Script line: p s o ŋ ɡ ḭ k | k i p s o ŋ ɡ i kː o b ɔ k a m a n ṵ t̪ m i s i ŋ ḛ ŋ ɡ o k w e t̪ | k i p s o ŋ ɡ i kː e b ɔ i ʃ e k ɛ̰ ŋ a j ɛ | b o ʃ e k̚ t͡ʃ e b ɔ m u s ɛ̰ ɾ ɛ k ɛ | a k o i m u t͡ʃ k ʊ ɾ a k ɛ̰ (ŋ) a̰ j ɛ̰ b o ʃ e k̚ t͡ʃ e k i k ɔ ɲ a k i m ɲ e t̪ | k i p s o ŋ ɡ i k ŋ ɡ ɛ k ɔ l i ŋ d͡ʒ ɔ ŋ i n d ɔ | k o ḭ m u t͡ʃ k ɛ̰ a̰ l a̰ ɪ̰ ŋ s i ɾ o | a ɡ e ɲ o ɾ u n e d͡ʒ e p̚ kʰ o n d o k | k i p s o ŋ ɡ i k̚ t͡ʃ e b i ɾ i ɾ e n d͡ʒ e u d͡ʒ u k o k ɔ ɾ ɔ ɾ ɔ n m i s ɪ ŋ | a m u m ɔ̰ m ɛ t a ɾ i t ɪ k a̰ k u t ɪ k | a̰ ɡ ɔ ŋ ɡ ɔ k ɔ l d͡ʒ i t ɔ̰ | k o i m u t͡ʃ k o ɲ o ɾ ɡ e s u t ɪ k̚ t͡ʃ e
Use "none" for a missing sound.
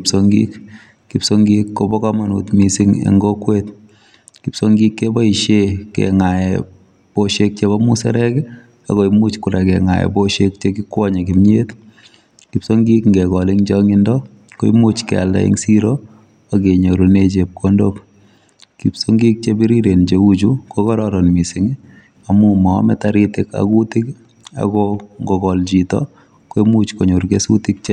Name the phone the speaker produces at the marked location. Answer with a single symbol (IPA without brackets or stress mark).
ŋ